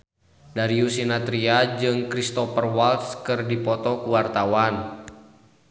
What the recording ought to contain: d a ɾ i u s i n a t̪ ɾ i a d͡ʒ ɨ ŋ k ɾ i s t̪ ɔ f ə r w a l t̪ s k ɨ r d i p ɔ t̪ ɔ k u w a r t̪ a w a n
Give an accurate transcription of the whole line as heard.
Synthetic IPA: d a ɾ i u s i n a t̪ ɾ i a d͡ʒ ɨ ŋ k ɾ i s t̪ ɔ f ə r w a l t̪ s k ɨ r d i p ɔ t̪ ɔ k u w a r t̪ a w a n